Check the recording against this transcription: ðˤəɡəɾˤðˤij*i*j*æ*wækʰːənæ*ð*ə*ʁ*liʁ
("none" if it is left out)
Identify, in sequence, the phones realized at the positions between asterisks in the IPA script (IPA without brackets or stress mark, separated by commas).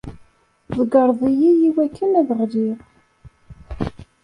i, i, ð, ʁ